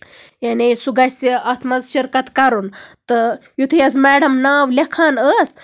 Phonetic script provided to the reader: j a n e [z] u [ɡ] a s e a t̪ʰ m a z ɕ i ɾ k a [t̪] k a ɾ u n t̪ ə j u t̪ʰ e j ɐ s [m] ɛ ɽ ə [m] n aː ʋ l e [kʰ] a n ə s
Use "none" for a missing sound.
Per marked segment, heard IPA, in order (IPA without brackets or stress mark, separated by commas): s, ɡ, t̪, m, m, kʰ